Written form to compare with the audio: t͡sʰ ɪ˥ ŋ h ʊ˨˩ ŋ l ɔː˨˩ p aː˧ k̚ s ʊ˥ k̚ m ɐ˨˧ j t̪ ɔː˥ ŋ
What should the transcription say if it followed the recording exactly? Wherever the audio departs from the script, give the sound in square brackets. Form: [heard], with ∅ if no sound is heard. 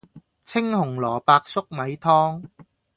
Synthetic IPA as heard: t͡sʰ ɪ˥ ŋ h ʊ˨˩ ŋ l ɔː˨˩ p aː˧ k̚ s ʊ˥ k̚ m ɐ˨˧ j [t̪ʰ] ɔː˥ ŋ